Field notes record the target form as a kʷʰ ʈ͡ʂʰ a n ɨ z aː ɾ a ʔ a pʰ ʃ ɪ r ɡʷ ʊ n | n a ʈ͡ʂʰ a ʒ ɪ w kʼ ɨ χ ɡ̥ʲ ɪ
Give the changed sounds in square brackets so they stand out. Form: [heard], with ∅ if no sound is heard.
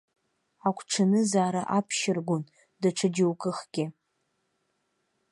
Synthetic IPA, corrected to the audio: a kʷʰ ʈ͡ʂʰ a n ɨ z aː ɾ a ʔ a pʰ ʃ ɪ r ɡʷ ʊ n | [d] a ʈ͡ʂʰ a [d͡ʒ] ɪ w kʼ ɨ χ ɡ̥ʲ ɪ